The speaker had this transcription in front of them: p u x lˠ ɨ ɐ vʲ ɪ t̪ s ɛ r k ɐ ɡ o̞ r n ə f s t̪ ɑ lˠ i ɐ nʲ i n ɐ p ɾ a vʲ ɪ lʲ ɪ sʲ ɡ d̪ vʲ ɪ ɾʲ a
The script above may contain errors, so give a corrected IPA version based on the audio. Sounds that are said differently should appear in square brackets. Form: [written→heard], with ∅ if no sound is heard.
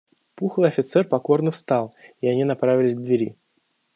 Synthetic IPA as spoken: p u x lˠ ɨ ɐ [vʲ→fʲ] ɪ t̪ s ɛ r [k→p] ɐ [ɡ→k] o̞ r n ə f s t̪ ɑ lˠ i ɐ nʲ i n ɐ p ɾ a vʲ ɪ lʲ ɪ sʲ ɡ d̪ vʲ ɪ ɾʲ [a→i]